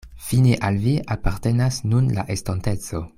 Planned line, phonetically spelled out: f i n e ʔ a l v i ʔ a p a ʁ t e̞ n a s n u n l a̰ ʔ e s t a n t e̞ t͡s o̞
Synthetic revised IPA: f i n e ʔ a l v i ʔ a p a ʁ t e̞ n a s n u n l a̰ ʔ e s t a n t e̞ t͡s o̞